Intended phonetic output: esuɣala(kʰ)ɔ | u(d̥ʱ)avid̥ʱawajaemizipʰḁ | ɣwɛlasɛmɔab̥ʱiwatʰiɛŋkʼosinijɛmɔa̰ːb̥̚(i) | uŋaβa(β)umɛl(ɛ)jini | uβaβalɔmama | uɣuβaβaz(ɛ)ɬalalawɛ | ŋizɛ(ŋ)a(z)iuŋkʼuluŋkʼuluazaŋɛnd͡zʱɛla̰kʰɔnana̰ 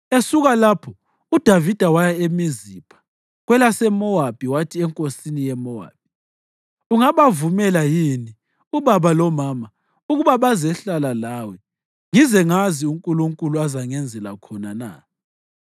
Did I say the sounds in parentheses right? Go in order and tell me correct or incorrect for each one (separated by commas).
incorrect, correct, correct, incorrect, incorrect, correct, correct, correct